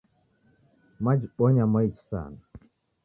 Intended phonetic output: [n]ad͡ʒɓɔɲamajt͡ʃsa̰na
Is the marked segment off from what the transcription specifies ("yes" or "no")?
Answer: yes